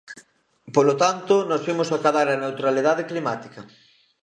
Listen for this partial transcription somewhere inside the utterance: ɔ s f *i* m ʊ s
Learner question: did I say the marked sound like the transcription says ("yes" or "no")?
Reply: yes